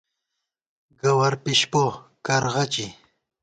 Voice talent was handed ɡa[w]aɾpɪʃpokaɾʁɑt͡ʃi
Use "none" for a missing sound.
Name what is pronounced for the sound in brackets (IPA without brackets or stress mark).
w